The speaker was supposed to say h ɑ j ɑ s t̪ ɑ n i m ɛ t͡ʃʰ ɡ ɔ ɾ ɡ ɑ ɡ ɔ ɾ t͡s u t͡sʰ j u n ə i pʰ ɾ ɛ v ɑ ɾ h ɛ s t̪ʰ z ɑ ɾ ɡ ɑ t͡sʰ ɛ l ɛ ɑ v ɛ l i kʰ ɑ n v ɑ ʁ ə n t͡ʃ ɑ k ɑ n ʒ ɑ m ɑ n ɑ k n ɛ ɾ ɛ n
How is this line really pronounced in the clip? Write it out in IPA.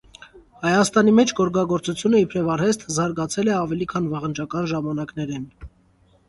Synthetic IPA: h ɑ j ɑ s t̪ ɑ n i m ɛ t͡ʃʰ ɡ ɔ ɾ ɡ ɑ ɡ ɔ ɾ t͡s u t͡sʰ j u n ə i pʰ ɾ ɛ v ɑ ɾ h ɛ s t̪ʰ z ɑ ɾ ɡ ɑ t͡sʰ ɛ l ɛ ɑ v ɛ l i kʰ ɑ n v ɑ ʁ ə n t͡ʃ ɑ k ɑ n ʒ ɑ m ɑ n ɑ k n ɛ ɾ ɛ n